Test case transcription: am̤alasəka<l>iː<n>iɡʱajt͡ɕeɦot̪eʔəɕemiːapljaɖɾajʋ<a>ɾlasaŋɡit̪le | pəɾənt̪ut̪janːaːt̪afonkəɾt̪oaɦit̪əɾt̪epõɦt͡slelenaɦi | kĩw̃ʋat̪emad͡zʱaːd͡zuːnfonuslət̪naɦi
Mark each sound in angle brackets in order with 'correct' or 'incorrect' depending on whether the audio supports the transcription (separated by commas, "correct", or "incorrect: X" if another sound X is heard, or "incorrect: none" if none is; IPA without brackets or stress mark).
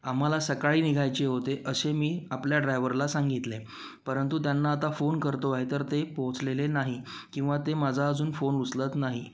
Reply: incorrect: ɭ, correct, incorrect: ə